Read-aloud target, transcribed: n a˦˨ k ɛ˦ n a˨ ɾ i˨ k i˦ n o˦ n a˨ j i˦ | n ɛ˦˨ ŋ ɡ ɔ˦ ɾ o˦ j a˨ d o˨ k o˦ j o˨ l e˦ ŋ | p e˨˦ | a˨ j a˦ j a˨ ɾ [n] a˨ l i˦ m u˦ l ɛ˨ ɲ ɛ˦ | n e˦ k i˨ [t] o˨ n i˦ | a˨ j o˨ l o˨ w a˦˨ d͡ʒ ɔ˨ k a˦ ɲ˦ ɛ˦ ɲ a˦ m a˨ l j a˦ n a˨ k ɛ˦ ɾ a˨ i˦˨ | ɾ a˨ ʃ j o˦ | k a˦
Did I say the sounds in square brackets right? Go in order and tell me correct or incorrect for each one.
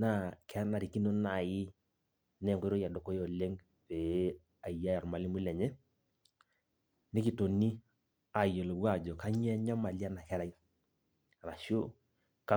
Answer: incorrect: m, correct

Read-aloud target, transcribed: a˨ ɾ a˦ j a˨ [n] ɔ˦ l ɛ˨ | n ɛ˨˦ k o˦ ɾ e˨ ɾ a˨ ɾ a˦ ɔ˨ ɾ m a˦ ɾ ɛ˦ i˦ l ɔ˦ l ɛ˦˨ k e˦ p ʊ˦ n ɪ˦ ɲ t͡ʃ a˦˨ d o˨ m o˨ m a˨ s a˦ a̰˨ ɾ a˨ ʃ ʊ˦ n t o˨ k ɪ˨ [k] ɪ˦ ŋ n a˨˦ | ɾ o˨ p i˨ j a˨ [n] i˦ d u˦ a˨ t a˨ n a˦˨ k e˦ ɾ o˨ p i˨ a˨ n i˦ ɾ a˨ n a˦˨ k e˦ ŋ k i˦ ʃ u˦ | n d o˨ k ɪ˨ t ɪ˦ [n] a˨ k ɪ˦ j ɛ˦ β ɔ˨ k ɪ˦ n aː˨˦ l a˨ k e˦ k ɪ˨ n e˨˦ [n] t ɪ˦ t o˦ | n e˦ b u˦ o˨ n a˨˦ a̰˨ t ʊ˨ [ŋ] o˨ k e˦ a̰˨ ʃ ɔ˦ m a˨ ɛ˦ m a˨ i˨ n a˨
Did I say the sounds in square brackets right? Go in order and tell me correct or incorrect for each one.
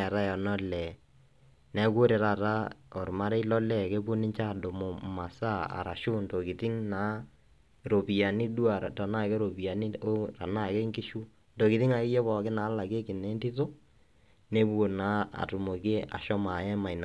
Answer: correct, incorrect: t, correct, incorrect: ŋ, correct, incorrect: m

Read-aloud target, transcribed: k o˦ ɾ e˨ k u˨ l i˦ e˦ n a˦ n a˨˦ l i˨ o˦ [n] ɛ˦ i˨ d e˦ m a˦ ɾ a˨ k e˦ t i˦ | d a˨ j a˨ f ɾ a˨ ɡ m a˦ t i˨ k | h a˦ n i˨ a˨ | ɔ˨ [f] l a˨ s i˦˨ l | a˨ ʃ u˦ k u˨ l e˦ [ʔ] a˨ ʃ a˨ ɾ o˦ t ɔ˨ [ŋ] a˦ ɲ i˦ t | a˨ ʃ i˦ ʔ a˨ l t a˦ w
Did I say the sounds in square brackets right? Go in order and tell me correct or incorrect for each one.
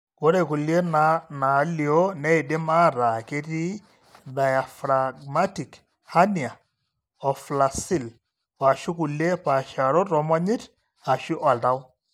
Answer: correct, correct, incorrect: p, incorrect: m

